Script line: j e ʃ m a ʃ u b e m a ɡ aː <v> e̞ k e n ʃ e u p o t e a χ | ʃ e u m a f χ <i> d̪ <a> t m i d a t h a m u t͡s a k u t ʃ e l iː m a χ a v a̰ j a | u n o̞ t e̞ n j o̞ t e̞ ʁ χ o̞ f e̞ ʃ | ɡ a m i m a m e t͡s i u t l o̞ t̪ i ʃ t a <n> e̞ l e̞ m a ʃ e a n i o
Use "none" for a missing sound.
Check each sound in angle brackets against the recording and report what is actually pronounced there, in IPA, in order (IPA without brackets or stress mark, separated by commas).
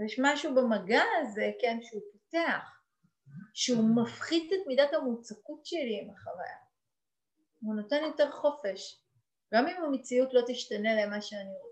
z, i, e, n